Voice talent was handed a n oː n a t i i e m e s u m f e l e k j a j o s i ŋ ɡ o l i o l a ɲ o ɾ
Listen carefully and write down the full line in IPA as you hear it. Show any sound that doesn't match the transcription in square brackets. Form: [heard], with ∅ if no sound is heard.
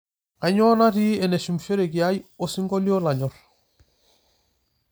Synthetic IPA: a [ɲ] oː n a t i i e [n] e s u m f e [ɾ] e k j a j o s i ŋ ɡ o l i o l a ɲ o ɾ

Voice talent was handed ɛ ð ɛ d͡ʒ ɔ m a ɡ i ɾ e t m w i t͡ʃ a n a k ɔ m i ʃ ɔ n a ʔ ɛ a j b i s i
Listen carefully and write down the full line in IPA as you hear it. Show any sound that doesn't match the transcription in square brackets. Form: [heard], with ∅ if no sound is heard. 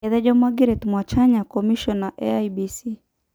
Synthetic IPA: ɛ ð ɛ d͡ʒ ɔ m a ɡ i ɾ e t m w [a] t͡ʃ a [ɲ] a k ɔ m i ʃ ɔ n a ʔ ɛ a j b i s i

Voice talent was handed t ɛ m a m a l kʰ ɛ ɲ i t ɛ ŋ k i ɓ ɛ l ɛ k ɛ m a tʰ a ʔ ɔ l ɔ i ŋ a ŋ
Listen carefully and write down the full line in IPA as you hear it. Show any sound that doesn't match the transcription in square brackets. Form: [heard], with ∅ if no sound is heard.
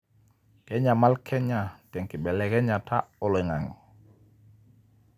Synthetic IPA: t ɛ [ɲ] a m a l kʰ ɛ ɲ [a] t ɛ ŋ k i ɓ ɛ l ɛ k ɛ [ɲ] a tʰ a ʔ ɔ l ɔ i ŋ a ŋ

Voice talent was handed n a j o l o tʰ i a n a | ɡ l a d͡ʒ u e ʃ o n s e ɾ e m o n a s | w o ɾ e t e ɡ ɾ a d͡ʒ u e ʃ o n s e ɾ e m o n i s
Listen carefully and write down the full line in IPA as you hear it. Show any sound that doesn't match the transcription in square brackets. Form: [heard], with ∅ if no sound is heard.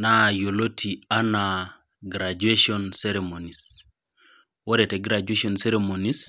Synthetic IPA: n a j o l o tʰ i a n a | ɡ [ɾ] a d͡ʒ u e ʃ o n s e ɾ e m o n [i] s | w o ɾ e t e ɡ ɾ a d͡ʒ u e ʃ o n s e ɾ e m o n i s

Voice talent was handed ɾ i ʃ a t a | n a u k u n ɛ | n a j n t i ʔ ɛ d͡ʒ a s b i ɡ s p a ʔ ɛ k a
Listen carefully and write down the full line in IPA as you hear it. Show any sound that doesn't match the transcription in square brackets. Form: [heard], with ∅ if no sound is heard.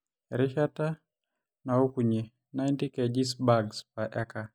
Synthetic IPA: ɾ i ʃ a t a | n a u k u [ɲ] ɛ | n a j n t i [k] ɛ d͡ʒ [i] s b [a] ɡ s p a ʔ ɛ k a

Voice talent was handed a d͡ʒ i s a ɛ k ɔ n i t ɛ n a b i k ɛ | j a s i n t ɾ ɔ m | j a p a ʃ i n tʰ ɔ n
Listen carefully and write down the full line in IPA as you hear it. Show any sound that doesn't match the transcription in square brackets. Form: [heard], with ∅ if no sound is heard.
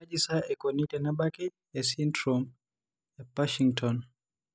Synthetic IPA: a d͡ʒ i s a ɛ k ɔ n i t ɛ n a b [a] k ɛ | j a s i n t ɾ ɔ m | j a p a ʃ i [ŋ] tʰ ɔ n

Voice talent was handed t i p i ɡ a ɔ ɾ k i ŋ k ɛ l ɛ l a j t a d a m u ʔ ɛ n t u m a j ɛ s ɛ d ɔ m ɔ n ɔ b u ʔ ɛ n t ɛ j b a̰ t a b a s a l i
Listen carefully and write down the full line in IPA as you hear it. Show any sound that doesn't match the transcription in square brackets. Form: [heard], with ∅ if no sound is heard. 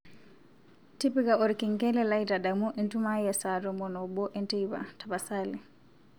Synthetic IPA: t i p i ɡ a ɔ ɾ k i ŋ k ɛ l ɛ l a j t a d a m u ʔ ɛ n t u m a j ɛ s [a] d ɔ m ɔ n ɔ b [ɔ] ʔ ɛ n t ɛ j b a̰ t a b a s a l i

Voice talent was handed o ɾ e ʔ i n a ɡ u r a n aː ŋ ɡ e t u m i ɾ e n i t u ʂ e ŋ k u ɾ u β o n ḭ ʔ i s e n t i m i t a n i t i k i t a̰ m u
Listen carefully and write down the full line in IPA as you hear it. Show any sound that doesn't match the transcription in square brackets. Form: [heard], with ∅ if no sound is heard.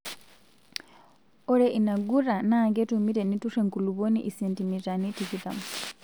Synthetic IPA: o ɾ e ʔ i n a ɡ u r a n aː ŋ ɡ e t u m i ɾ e n i t u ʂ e ŋ k u [l] u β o n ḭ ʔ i s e n t i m i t a n i t i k i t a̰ m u

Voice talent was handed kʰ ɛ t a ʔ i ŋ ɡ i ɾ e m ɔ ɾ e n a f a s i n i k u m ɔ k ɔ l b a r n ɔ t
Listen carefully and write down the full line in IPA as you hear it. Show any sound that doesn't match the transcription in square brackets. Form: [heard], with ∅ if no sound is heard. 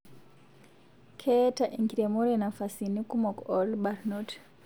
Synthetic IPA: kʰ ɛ t a ʔ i ŋ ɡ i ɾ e m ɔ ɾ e n a f a s i n i k u m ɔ k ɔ l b a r n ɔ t

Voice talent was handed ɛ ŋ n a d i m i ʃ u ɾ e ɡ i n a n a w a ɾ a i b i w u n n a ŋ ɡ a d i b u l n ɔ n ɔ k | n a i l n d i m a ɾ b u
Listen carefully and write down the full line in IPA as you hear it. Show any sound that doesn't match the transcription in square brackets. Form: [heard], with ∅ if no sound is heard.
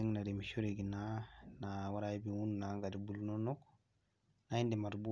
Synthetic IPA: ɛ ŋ n a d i m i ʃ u ɾ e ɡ i n a n a w a ɾ a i b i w u n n a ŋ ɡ a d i b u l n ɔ n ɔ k | n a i [∅] n d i m a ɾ b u

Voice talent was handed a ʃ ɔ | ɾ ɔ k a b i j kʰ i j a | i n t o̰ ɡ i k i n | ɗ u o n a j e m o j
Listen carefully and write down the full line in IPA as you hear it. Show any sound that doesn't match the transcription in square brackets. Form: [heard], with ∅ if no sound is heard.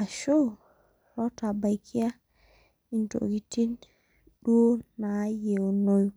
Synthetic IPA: a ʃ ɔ | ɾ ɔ [t] a b [a] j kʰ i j a | i n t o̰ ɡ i [t] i n | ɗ u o n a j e [n] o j

